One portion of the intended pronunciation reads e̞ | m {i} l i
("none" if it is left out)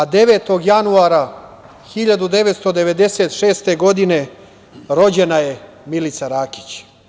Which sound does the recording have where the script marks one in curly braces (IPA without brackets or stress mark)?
i